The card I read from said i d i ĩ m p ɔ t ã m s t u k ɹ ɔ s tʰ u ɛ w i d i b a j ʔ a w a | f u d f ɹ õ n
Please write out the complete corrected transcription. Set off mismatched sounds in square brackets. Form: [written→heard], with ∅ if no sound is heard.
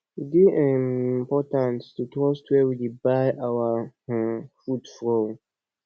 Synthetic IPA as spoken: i d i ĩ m p ɔ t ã [m→n] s t u [k→t] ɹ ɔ s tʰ [u→w] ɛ w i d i b a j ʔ a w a | f u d f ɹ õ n